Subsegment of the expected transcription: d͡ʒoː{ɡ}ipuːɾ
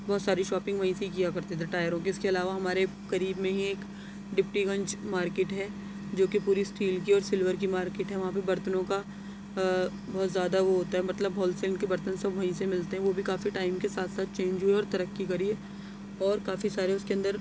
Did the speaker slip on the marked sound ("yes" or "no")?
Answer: yes